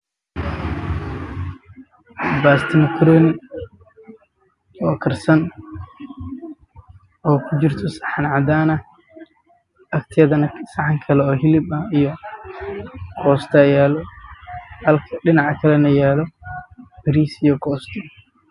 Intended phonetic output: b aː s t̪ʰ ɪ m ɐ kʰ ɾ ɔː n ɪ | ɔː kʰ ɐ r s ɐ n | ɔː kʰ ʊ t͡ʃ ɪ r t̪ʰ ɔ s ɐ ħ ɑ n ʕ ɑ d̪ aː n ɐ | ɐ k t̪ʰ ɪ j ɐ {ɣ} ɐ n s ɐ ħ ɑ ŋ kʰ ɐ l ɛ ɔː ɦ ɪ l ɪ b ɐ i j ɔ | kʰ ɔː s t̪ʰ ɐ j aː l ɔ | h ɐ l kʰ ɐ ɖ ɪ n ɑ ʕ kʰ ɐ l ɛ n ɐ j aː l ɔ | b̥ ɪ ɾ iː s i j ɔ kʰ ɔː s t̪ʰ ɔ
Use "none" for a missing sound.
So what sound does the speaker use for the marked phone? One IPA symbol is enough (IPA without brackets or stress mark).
ð